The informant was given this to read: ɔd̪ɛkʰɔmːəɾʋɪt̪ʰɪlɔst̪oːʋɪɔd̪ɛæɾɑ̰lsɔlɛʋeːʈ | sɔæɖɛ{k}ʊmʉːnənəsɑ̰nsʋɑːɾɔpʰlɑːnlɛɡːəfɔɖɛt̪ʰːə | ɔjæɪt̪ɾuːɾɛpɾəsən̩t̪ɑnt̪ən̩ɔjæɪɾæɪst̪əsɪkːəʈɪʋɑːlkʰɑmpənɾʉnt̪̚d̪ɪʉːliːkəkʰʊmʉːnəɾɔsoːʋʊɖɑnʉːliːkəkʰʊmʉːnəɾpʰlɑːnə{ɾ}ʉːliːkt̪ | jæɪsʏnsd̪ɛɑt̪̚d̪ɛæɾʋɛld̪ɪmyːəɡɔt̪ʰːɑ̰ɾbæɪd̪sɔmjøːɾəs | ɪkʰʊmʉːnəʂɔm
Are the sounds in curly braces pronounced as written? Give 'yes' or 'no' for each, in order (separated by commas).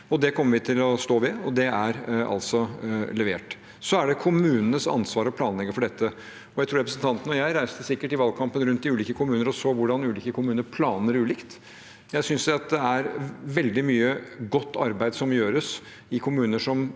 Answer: no, yes